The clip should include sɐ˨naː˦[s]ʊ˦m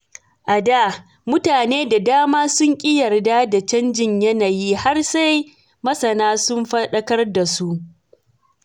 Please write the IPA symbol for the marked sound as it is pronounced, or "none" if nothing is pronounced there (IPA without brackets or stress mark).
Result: s